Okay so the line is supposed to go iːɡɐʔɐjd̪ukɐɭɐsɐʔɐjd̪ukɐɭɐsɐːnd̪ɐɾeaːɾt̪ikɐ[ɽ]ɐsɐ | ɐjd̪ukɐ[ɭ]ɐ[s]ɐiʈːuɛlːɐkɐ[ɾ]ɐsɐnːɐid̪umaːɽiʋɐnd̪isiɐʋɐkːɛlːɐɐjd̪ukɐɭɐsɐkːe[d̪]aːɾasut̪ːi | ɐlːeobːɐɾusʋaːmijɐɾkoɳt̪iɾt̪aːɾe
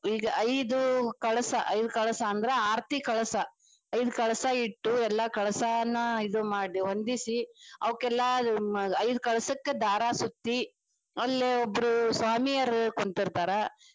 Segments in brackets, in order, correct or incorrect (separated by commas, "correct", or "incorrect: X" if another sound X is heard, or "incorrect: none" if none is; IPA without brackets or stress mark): incorrect: ɭ, correct, correct, incorrect: ɭ, correct